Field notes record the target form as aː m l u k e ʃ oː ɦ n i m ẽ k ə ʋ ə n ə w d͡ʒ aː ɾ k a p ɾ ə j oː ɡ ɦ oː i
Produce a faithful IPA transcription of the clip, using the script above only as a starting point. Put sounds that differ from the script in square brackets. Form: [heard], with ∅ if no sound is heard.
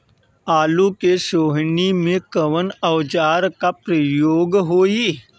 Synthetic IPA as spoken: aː [∅] l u k e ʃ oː ɦ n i m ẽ k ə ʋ ə n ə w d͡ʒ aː ɾ k a p ɾ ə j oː ɡ ɦ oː i